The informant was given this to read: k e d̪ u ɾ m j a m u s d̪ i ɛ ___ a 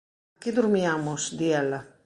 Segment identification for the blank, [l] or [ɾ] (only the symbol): l